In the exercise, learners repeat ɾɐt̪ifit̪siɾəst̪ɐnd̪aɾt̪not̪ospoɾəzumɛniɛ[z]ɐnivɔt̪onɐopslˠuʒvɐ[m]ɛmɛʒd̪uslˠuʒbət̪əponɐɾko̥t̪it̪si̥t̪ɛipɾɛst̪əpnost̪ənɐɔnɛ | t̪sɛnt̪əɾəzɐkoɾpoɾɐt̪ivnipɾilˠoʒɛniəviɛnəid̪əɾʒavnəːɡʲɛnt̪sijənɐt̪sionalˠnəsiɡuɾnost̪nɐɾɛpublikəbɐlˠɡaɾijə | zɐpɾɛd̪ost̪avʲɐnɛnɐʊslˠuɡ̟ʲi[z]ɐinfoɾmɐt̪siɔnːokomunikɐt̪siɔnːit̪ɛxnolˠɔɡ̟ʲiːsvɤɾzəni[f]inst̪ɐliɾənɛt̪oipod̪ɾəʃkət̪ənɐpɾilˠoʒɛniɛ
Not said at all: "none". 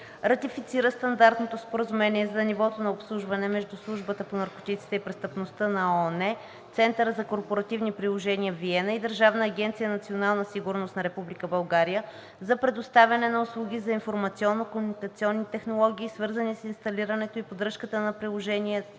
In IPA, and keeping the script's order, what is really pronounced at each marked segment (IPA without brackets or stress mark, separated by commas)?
z, n, z, s